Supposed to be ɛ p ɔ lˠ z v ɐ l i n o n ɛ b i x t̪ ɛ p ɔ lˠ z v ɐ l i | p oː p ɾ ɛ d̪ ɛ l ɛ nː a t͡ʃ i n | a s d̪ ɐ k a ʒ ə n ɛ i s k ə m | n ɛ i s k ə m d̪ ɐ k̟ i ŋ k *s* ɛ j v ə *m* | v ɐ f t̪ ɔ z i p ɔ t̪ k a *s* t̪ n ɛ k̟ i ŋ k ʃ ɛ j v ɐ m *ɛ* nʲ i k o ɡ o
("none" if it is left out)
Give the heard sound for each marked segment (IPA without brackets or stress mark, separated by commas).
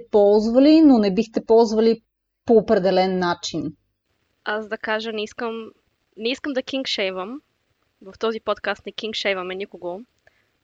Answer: ʃ, m, s, ɛ